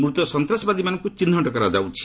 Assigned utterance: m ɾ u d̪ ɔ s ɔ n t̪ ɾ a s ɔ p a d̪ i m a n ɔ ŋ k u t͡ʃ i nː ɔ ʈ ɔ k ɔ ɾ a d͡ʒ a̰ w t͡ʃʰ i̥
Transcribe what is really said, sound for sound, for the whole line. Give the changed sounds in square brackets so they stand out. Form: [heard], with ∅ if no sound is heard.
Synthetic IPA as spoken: m ɾ u [t̪] ɔ s ɔ n t̪ ɾ a s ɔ [b] a d̪ i m a n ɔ ŋ k u t͡ʃ i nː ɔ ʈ ɔ k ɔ ɾ a d͡ʒ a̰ w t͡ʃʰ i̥

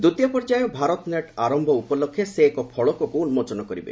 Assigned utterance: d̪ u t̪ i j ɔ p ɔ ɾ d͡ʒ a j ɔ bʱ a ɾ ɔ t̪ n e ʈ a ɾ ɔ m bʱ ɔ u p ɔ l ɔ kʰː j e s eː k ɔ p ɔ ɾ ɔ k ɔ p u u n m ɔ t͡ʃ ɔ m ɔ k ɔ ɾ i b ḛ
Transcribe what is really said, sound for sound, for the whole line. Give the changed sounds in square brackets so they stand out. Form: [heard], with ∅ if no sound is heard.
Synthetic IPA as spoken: d̪ u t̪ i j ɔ p ɔ ɾ d͡ʒ a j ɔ bʱ a ɾ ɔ t̪ n e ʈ a ɾ ɔ m bʱ ɔ u p ɔ l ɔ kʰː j e s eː k ɔ [pʰ] ɔ [ɭ] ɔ k ɔ [k] u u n m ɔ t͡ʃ ɔ [n] ɔ k ɔ ɾ i b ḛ

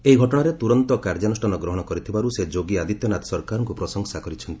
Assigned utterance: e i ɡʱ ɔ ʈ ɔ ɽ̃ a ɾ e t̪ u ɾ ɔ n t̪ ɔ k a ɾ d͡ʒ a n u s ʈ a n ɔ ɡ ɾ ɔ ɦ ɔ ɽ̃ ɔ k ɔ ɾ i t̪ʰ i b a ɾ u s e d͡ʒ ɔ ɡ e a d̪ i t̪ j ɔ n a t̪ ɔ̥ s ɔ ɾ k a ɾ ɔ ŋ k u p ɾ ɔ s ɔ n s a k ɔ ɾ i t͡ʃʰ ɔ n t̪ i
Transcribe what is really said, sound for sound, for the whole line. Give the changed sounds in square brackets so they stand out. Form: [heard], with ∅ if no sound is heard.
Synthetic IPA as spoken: e i ɡʱ ɔ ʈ ɔ ɽ̃ a ɾ e t̪ u ɾ ɔ n t̪ ɔ k a ɾ d͡ʒ a n u s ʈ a n ɔ ɡ ɾ ɔ ɦ ɔ ɽ̃ ɔ k ɔ ɾ i t̪ʰ i b a ɾ u s e d͡ʒ [o] ɡ [i] a d̪ i t̪ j ɔ n a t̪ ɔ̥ s ɔ ɾ k a ɾ ɔ ŋ k u p ɾ ɔ s ɔ [ŋ] s a k ɔ ɾ i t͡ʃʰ ɔ n t̪ i

